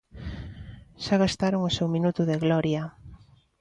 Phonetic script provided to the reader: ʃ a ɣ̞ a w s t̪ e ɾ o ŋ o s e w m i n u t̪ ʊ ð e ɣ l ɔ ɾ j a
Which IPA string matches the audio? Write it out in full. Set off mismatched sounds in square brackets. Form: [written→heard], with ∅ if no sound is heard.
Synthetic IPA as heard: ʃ a ɣ̞ a [w→∅] s t̪ [e→a] ɾ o ŋ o s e w m i n u t̪ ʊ ð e ɣ l ɔ ɾ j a